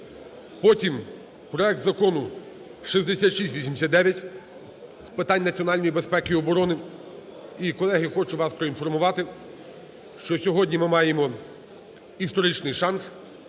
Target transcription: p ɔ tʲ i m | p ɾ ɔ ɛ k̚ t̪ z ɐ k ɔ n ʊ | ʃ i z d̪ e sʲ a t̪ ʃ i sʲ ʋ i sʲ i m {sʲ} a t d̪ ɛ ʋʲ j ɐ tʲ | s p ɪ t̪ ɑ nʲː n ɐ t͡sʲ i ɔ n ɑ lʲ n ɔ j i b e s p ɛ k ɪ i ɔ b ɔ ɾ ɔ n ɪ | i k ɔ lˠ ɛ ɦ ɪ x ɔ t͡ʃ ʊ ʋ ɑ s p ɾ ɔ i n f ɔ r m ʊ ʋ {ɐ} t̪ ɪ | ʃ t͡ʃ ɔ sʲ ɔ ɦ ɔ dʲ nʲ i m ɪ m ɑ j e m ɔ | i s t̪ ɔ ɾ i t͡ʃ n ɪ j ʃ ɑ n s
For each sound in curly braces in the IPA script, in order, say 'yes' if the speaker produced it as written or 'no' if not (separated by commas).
yes, no